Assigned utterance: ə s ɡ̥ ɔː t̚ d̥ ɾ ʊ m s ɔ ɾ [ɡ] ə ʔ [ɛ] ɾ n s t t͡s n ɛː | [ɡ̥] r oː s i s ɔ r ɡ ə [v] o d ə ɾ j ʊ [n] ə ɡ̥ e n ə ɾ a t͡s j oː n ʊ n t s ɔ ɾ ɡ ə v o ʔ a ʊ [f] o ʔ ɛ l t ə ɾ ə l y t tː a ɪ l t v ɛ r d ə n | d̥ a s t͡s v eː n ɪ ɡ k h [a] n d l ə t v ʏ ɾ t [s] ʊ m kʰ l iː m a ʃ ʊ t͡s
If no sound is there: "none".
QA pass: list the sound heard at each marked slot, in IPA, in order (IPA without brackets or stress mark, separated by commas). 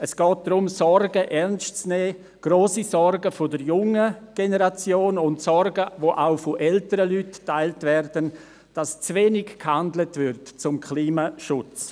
ɡ, ɛ, ɡ̥, f, ŋ, f, a, t͡s